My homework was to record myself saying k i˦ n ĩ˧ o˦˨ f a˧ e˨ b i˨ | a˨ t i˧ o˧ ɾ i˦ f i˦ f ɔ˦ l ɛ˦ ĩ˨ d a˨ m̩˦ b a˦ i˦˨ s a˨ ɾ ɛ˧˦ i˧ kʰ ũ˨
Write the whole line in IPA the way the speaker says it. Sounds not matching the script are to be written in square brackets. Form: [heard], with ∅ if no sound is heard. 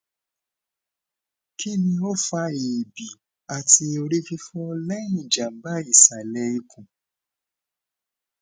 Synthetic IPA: k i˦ n ĩ˧ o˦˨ f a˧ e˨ b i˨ | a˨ t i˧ o˧ ɾ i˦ f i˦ f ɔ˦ l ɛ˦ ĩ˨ [d͡ʒ] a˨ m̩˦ b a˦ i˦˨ s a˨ [l] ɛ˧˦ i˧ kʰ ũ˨